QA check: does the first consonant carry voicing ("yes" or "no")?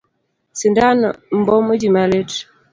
no